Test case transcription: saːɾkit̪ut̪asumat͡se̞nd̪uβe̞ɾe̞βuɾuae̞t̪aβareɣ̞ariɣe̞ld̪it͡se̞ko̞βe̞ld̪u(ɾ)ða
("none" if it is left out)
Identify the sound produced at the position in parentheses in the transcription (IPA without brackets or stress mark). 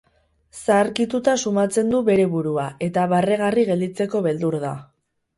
ɾ